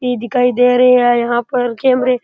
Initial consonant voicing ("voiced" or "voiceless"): voiced